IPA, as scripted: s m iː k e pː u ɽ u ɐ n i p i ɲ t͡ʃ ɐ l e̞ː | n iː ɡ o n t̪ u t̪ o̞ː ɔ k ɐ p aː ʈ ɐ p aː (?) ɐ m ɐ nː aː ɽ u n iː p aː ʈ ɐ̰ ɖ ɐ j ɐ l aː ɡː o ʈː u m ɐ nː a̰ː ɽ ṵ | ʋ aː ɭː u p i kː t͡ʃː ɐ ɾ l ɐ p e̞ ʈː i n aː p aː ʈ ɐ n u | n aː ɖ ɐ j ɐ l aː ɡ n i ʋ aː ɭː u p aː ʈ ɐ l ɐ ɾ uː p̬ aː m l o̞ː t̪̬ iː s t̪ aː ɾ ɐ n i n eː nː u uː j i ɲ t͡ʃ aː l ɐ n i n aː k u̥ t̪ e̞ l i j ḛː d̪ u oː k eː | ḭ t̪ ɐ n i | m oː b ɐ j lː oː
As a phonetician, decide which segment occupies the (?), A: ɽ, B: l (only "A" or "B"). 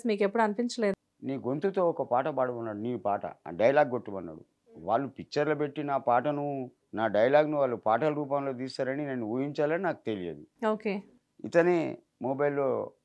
A